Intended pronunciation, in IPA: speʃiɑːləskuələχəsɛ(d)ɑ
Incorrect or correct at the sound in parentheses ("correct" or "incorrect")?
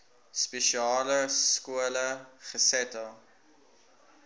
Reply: incorrect